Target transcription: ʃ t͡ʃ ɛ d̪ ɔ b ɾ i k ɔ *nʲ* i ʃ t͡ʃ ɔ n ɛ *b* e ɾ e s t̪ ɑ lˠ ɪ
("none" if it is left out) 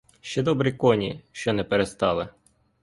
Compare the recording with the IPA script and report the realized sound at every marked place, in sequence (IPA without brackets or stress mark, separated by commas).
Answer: nʲ, p